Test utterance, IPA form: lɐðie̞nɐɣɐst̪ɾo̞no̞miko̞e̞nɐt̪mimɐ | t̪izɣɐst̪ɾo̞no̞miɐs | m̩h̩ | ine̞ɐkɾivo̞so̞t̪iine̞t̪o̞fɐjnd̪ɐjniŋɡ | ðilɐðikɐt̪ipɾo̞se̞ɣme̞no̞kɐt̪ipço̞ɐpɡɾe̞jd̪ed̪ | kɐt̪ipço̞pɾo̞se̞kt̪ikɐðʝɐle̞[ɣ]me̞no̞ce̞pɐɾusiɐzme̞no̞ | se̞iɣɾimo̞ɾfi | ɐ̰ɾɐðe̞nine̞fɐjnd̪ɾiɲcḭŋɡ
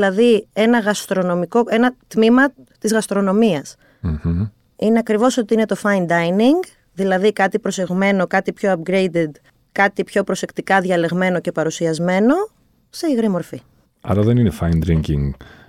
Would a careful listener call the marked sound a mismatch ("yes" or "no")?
no